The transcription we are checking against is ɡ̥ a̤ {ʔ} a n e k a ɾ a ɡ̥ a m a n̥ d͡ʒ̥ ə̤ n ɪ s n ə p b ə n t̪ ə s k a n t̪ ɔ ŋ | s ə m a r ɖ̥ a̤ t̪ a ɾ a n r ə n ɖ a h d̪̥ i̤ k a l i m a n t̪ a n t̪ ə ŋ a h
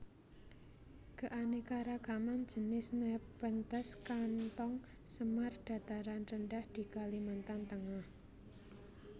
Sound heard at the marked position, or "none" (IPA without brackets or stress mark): ʔ